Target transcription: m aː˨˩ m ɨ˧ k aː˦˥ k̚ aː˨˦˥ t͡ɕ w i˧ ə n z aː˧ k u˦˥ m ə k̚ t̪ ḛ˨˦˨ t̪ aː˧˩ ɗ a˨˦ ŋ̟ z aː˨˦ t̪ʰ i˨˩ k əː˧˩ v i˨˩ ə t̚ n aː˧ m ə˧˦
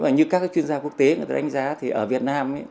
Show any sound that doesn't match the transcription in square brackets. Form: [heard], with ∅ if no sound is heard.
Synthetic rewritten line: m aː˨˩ [ɲ] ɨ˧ k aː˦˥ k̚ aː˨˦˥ t͡ɕ w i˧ ə n z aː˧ k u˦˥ [∅] ə k̚ t̪ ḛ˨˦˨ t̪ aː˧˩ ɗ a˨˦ ŋ̟ z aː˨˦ t̪ʰ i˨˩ [ʔ] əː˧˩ v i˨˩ ə t̚ n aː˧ m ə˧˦